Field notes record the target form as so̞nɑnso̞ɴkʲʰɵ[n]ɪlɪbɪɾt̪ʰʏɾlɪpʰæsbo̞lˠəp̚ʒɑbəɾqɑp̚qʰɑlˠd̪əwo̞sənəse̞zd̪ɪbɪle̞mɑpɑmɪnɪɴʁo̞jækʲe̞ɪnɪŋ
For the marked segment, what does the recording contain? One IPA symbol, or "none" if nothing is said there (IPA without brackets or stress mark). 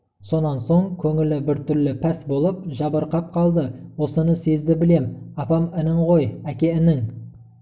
ŋ